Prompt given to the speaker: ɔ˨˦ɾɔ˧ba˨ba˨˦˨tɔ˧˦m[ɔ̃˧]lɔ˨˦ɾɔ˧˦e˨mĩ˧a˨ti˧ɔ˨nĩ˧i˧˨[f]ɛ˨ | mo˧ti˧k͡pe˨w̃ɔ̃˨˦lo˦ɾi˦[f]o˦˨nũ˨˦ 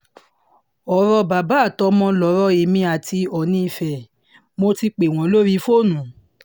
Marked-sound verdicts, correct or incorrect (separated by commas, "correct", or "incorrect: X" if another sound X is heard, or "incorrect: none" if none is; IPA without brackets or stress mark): correct, correct, correct